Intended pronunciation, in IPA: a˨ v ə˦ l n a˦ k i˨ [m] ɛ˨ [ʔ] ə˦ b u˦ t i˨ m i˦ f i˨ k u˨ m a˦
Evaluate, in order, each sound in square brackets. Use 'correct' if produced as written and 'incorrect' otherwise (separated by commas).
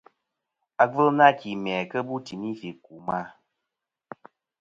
correct, incorrect